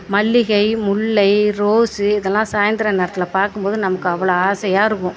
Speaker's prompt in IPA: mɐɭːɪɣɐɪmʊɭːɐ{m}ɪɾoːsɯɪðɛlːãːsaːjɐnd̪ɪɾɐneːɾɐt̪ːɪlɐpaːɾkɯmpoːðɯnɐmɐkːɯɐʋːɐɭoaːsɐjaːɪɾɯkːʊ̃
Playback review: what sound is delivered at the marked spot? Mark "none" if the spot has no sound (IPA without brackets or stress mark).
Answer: none